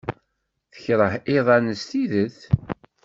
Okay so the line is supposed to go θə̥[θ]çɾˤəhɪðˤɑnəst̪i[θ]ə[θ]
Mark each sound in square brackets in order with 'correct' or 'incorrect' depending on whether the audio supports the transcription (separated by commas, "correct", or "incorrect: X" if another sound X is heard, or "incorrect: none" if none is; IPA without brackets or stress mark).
incorrect: none, incorrect: ð, correct